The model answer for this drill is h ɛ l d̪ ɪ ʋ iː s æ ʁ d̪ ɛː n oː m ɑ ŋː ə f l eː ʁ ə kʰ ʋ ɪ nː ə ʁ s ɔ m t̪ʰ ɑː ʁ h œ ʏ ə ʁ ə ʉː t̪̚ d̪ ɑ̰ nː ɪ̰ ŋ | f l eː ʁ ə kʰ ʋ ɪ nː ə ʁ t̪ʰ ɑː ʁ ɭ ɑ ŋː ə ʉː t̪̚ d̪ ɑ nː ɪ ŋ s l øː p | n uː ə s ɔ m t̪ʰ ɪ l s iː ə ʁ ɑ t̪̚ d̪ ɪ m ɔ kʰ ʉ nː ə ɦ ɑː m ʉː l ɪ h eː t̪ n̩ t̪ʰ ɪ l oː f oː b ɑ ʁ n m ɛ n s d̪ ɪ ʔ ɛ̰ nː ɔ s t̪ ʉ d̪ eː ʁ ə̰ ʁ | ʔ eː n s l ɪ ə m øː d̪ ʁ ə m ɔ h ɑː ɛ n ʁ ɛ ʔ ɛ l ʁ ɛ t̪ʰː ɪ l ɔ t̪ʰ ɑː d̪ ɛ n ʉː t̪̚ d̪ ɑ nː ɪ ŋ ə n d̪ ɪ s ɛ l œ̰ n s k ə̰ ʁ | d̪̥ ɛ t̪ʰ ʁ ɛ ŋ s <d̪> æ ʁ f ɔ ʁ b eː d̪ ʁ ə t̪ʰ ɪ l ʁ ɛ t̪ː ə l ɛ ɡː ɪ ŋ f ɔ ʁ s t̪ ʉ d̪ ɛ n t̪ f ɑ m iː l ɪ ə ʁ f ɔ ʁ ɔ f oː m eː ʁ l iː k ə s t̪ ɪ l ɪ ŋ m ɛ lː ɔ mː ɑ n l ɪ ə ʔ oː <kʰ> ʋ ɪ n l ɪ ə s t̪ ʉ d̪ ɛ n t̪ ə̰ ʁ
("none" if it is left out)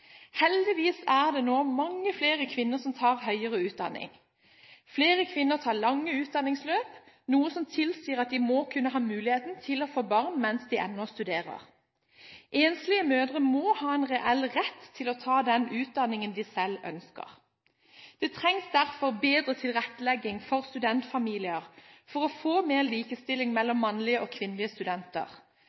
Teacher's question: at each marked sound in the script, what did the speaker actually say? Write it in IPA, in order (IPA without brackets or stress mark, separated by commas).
d̪, kʰ